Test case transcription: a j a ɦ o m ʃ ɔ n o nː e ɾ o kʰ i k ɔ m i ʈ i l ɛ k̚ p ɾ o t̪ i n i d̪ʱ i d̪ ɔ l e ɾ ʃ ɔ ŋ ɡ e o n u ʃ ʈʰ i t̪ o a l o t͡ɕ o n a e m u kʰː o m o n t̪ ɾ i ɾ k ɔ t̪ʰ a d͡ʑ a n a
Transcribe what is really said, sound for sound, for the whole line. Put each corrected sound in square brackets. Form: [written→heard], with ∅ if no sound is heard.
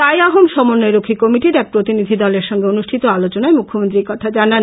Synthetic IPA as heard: a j a ɦ o m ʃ ɔ [n→m] o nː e ɾ o kʰ i k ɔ m i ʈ i [l→ɾ] ɛ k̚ p ɾ o t̪ i n i d̪ʱ i d̪ ɔ l e ɾ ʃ ɔ ŋ ɡ e o n u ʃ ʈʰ i t̪ o a l o t͡ɕ o n a e m u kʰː o m o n t̪ ɾ i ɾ k ɔ t̪ʰ a d͡ʑ a n a